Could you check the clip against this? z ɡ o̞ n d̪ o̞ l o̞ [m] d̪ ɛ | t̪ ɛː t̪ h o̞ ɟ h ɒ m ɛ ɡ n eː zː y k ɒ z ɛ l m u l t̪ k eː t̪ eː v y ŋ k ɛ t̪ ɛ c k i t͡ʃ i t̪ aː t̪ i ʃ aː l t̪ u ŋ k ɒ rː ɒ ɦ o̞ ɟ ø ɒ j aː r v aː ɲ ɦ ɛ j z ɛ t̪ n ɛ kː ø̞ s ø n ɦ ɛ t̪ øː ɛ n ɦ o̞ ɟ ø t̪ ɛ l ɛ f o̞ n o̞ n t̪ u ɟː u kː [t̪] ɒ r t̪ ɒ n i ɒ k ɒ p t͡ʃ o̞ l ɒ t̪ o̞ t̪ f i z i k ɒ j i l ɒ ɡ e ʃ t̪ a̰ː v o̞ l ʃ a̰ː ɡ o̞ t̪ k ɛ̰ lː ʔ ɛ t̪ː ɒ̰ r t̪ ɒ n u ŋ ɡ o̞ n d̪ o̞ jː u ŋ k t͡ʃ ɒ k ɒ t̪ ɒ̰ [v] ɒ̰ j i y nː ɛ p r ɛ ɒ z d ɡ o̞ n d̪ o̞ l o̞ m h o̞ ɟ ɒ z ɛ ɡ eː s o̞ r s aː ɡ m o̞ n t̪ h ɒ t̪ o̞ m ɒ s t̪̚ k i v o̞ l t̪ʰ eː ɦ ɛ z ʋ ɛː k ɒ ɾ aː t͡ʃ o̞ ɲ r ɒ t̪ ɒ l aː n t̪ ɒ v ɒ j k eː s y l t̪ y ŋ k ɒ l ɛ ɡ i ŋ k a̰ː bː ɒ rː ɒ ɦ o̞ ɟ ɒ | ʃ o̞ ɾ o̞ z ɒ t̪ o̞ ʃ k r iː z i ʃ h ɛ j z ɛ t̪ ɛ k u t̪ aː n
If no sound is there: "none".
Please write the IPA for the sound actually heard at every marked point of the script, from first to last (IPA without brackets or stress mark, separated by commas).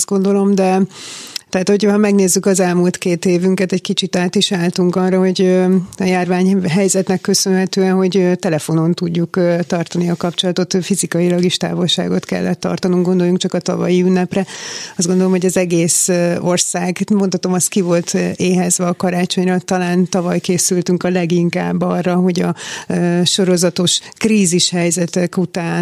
m, t̪, v